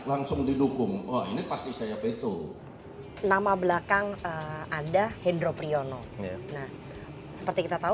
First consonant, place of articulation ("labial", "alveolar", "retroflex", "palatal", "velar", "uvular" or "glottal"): alveolar